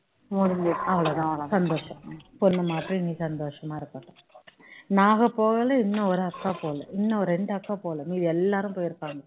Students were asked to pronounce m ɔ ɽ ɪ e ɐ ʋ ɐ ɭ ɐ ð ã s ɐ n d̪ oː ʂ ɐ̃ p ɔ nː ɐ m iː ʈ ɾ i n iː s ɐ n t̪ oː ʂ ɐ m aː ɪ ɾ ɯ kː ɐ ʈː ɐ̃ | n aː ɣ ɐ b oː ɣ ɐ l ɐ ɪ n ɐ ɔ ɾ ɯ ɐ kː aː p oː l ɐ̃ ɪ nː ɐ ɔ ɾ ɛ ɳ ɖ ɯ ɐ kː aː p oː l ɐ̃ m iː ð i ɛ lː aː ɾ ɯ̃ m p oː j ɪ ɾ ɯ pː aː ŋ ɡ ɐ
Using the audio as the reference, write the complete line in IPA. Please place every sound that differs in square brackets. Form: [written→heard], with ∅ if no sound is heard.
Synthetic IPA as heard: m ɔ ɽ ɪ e ɐ ʋ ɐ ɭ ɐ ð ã s ɐ n d̪ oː ʂ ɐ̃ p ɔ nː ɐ m [iː→aː] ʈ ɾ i n iː s ɐ n [t̪→d̪] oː ʂ ɐ m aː ɪ ɾ ɯ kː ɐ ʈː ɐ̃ | n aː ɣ ɐ [b→p] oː ɣ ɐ l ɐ ɪ [n→nː] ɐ ɔ ɾ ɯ ɐ kː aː p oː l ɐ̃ ɪ nː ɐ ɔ ɾ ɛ ɳ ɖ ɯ ɐ kː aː p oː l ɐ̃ m iː ð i ɛ lː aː ɾ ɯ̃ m p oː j ɪ ɾ ɯ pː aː ŋ ɡ ɐ